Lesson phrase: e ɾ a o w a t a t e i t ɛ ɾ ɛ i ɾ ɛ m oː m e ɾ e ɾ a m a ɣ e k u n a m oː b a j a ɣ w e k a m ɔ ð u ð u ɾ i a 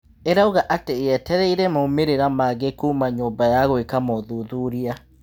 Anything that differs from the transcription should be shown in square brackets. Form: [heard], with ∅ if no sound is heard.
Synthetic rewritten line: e ɾ a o [ɣ] a [ʔ] a t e [ɛ] t ɛ ɾ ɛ i ɾ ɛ m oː m e ɾ e ɾ a m a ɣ e k u [m] a [ɲ] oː b a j a ɣ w e k a m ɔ ð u ð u ɾ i a